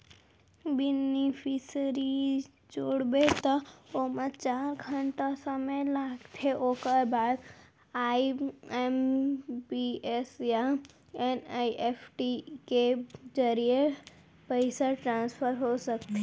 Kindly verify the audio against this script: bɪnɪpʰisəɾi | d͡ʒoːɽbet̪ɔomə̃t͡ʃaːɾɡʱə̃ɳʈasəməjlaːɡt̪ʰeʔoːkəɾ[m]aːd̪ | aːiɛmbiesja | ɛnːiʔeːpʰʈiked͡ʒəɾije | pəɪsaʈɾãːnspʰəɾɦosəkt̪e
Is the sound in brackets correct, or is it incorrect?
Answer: incorrect